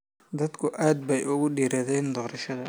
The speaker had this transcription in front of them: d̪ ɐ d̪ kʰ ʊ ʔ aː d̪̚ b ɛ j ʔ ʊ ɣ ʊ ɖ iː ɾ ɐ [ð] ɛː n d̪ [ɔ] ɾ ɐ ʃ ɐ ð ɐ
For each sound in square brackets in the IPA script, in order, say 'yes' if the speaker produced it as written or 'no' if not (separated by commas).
yes, no